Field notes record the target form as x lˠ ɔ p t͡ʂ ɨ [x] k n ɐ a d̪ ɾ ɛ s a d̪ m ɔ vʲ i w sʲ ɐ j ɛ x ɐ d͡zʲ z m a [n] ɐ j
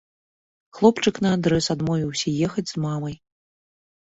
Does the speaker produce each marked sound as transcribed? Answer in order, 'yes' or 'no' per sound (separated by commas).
no, no